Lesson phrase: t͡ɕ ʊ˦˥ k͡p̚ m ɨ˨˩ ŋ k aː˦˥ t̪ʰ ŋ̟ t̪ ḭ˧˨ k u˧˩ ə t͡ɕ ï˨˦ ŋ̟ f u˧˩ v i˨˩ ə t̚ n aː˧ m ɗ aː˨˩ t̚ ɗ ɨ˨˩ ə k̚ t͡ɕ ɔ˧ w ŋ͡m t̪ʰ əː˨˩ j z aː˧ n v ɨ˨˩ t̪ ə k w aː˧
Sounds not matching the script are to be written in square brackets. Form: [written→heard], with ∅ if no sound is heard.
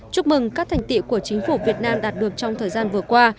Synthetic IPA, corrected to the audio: t͡ɕ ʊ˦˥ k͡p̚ m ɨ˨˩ ŋ k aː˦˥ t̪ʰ ŋ̟ t̪ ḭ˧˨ k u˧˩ ə t͡ɕ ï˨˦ ŋ̟ f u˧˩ v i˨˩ ə t̚ n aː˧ m ɗ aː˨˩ t̚ ɗ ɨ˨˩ ə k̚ t͡ɕ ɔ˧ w ŋ͡m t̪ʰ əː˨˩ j z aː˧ n v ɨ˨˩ [t̪→∅] ə k w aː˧